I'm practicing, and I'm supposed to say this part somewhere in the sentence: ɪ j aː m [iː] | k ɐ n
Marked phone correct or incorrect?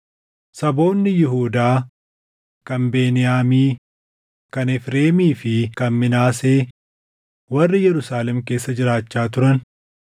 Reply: correct